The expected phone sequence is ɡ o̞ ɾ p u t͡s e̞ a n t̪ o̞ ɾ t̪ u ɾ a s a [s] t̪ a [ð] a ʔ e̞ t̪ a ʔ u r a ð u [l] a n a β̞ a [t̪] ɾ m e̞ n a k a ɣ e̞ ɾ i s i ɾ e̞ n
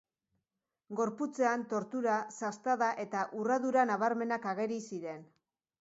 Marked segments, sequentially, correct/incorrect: correct, correct, incorrect: ɾ, incorrect: none

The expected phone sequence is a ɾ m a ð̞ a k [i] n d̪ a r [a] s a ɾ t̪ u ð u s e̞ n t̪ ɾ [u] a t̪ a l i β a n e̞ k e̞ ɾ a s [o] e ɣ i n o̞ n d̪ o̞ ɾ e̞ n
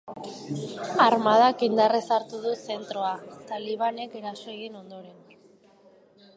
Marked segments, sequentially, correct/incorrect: correct, incorrect: e, incorrect: o, correct

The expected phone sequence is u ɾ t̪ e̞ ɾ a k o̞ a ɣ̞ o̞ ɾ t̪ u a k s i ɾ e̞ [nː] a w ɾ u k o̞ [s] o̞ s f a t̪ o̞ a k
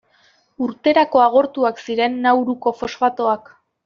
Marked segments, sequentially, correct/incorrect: correct, incorrect: f

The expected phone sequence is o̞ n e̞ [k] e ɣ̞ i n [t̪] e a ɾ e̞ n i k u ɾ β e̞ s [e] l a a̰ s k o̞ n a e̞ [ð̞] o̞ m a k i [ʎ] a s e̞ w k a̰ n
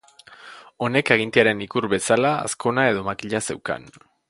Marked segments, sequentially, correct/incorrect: correct, correct, incorrect: a, correct, correct

